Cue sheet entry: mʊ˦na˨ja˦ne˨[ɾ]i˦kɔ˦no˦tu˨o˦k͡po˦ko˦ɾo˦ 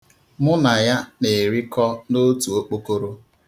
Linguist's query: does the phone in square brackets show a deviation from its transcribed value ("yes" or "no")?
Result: no